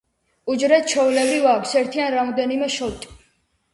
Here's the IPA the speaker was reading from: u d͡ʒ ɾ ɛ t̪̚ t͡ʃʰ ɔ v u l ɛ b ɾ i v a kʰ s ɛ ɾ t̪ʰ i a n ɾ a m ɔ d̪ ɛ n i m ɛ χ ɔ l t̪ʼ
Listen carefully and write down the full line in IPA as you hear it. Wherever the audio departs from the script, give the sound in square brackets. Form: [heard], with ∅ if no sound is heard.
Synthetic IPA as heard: u d͡ʒ ɾ ɛ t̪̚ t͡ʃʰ ɔ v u l ɛ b ɾ i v a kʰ s ɛ ɾ t̪ʰ i a n ɾ a m ɔ d̪ ɛ n i m ɛ [ʃ] ɔ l t̪ʼ